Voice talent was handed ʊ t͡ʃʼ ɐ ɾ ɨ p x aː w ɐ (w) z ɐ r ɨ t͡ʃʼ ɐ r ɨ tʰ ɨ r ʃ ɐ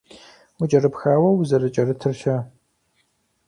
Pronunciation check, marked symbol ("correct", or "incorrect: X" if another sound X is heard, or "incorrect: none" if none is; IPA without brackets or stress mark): correct